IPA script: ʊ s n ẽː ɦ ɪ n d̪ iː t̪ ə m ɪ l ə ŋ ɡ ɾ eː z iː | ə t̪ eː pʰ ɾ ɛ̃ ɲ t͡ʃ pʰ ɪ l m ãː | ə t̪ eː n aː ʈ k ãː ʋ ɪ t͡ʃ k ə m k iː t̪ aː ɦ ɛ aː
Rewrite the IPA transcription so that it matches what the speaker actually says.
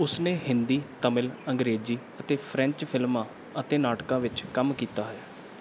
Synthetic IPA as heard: ʊ s n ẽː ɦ ɪ n d̪ iː t̪ ə m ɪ l ə ŋ ɡ ɾ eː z iː | ə t̪ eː pʰ ɾ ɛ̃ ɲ t͡ʃ pʰ ɪ l m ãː | ə t̪ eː n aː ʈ k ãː ʋ ɪ t͡ʃ k ə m k iː t̪ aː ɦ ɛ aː